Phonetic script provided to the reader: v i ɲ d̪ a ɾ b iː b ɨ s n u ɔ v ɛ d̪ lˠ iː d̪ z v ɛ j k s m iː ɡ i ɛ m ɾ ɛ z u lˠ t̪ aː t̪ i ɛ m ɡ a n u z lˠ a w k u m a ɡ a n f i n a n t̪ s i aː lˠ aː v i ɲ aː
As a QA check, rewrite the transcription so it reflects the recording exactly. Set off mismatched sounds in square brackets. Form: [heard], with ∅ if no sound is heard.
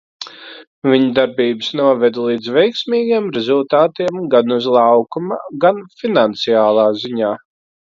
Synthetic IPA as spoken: v i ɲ d̪ a ɾ b iː b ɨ s n u ɔ v ɛ d̪ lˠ iː d̪ z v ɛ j k s m iː ɡ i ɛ m ɾ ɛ z u lˠ t̪ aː t̪ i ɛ m ɡ a n u z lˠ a w k u m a ɡ a n f i n a n t̪ s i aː lˠ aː [z] i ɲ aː